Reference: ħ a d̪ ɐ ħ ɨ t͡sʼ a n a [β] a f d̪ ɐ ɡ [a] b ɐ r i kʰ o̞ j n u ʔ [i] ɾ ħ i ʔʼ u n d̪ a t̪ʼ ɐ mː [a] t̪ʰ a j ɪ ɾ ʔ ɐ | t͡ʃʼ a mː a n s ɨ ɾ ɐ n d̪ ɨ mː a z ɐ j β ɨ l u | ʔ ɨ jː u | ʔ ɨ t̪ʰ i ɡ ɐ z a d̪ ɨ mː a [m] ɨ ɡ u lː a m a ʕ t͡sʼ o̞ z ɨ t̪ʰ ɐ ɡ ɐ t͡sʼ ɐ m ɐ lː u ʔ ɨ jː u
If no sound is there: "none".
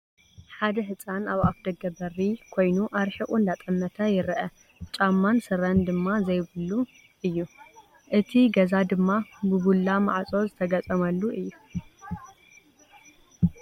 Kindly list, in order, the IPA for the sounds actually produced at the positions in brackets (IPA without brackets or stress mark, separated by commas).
β, ɐ, a, ɐ, b